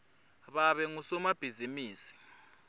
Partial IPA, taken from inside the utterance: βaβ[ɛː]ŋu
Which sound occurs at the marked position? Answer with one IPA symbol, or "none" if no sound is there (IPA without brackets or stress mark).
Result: ɛ